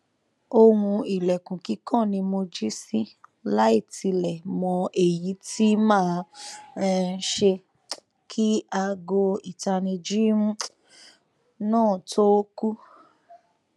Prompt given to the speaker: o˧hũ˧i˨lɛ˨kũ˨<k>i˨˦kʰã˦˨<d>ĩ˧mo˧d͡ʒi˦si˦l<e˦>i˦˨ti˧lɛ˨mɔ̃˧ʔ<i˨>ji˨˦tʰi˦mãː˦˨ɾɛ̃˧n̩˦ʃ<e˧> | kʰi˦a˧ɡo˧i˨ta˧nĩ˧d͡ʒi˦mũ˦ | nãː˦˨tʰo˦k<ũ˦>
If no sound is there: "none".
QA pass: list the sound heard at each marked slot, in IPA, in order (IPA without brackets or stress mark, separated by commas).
k, n, a˦, e˨, e˧, u˦